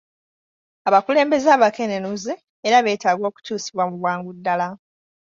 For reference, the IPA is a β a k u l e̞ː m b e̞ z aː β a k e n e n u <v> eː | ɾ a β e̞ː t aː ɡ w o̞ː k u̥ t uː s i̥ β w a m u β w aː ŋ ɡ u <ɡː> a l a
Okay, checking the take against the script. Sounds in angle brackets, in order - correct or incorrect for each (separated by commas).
incorrect, incorrect